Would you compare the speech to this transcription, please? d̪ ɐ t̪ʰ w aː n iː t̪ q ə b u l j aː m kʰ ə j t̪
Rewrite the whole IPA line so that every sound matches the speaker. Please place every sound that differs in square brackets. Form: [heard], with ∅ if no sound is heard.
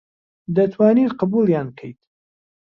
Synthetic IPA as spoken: d̪ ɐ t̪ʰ w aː n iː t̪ q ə b u l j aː [n] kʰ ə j t̪